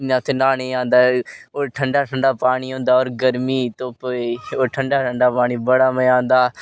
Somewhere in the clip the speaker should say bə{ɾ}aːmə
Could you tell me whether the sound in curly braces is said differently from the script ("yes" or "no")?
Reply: yes